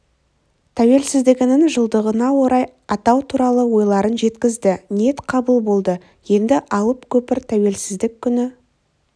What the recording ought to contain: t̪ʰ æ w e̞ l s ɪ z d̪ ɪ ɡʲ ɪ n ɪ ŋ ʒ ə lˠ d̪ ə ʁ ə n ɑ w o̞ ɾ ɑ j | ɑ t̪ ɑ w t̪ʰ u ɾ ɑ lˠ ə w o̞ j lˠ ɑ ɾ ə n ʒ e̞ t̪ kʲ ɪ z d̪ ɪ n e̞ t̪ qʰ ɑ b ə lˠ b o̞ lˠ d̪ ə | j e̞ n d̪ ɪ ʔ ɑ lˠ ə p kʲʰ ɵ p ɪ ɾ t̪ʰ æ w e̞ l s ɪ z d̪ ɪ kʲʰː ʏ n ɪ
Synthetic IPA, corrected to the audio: t̪ʰ æ w e̞ l s ɪ z d̪ ɪ ɡʲ ɪ n ɪ ŋ ʒ ə lˠ d̪ ə ʁ ə n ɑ w o̞ ɾ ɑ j | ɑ t̪ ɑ w t̪ʰ u ɾ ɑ lˠ ə w o̞ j lˠ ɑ ɾ ə n ʒ e̞ t̪ kʲ ɪ z d̪ ɪ n e̞ t̪ qʰ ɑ b ə lˠ b o̞ lˠ d̪ ə | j e̞ n d̪ ɪ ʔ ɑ lˠ ə p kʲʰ ɵ p ɪ ɾ t̪ʰ æ w e̞ l s ɪ z d̪ ɪ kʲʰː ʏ n ɪ